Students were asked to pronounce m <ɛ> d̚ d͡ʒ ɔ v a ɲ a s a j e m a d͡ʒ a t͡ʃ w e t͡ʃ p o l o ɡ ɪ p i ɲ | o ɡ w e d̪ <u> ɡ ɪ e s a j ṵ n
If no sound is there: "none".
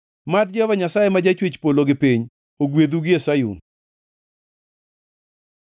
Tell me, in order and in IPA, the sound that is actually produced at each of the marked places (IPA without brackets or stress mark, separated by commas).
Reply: a, u